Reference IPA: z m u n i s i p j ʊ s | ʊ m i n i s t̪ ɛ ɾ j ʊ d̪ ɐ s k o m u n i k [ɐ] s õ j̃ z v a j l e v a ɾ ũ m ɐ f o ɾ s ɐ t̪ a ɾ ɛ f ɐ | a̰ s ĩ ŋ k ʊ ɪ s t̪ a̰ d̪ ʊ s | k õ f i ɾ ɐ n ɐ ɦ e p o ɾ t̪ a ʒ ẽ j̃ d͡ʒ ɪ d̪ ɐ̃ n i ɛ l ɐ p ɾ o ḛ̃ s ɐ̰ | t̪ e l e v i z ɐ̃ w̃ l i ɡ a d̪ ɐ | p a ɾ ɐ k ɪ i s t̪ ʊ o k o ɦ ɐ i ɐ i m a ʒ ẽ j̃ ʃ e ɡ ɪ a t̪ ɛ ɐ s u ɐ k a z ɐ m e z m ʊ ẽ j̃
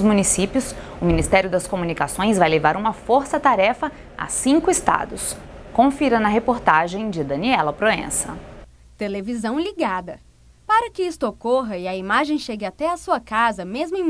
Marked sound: incorrect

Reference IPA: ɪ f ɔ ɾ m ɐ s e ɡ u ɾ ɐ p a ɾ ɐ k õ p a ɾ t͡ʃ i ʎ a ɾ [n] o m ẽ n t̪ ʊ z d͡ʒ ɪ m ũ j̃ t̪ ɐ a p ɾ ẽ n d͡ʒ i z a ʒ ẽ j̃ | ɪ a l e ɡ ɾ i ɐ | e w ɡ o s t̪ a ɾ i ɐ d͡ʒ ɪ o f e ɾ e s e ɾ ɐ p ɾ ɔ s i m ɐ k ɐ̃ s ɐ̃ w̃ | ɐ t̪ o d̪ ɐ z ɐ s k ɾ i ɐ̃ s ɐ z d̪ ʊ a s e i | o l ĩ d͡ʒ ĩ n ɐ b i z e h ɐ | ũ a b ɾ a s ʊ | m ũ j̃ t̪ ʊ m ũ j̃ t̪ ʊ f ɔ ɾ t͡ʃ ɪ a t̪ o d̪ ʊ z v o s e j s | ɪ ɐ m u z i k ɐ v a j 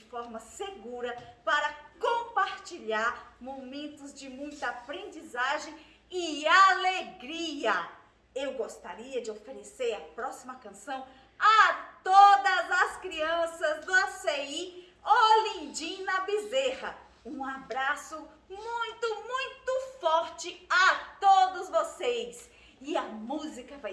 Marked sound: incorrect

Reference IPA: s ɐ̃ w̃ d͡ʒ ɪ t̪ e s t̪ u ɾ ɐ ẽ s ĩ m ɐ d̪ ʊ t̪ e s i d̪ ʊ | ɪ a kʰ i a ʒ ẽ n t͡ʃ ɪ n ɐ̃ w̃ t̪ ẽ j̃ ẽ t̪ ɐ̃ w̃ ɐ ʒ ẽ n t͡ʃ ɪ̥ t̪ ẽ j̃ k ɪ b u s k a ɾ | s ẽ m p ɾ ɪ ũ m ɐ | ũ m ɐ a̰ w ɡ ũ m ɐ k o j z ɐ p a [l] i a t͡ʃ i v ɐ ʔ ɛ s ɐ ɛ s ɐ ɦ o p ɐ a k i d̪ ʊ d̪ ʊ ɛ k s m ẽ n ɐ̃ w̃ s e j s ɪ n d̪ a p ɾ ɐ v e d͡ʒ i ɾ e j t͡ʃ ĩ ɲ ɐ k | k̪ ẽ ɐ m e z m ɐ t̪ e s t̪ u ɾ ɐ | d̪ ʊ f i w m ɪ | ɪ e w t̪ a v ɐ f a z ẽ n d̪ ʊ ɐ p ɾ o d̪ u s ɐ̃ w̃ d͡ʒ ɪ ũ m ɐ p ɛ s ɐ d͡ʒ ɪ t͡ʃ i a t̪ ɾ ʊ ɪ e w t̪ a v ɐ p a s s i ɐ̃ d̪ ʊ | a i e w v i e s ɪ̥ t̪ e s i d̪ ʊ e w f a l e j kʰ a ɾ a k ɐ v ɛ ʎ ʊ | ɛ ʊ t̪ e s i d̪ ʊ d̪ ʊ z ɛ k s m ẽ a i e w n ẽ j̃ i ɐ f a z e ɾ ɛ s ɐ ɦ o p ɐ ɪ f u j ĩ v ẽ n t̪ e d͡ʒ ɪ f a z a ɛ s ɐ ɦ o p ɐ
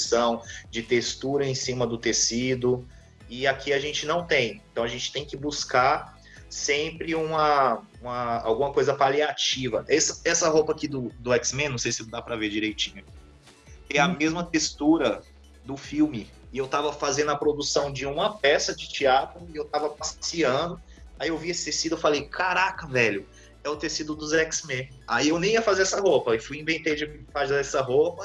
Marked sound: correct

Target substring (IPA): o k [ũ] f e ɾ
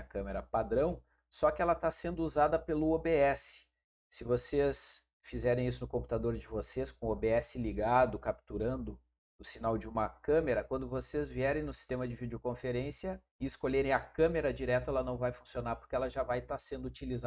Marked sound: incorrect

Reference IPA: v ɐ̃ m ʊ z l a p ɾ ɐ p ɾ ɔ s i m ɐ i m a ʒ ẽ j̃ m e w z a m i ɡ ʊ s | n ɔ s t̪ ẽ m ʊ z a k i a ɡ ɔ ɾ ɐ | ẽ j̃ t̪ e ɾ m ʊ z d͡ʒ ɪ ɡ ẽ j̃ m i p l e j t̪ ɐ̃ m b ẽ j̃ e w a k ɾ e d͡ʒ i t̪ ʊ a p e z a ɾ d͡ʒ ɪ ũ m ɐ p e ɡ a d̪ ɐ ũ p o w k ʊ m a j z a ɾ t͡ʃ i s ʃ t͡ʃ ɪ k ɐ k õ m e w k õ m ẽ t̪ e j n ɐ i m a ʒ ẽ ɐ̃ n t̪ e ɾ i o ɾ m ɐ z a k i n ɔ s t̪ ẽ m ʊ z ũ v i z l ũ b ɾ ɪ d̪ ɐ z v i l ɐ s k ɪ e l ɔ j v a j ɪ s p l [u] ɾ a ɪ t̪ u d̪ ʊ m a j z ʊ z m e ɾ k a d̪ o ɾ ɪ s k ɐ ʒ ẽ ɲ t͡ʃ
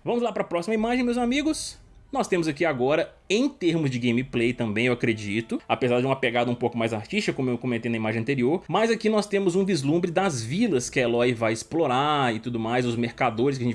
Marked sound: incorrect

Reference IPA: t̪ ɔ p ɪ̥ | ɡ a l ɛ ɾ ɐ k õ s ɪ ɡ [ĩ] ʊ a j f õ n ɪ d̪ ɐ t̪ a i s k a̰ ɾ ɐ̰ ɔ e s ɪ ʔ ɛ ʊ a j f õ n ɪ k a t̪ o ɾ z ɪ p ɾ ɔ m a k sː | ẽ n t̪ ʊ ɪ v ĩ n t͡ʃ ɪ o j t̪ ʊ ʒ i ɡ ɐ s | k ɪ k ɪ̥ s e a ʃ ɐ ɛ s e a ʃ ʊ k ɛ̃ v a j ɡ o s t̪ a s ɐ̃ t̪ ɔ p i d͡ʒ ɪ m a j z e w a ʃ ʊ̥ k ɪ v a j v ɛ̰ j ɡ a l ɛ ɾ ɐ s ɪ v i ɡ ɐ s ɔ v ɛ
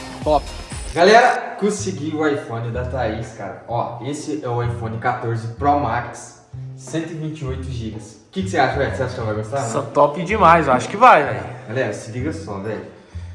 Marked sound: incorrect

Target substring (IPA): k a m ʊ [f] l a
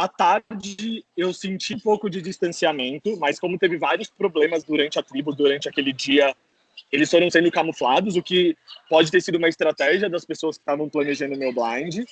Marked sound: correct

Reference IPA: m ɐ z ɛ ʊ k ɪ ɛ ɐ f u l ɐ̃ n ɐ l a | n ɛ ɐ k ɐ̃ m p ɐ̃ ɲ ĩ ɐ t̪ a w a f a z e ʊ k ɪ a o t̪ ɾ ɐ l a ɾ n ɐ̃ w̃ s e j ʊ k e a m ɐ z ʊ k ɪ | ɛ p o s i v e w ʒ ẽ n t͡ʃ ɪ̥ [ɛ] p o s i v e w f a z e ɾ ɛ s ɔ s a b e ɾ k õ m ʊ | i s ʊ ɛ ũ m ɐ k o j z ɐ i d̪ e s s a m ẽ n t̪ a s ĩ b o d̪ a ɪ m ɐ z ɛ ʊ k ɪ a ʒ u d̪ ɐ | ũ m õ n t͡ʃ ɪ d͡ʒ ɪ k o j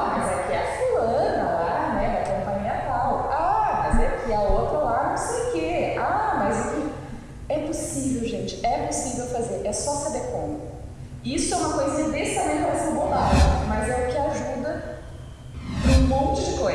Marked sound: correct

